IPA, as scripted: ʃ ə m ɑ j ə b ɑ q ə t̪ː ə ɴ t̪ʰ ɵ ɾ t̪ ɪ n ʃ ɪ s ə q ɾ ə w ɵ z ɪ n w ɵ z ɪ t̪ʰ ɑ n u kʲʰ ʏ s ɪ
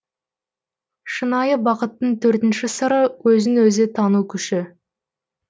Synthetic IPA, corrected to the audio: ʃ ə n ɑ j ə b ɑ q ə t̪ː ə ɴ t̪ʰ ɵ ɾ t̪ ɪ n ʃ ɪ s ə ɾ ə w ɵ z ɪ n w ɵ z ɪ t̪ʰ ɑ n u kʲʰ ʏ ʃ ɪ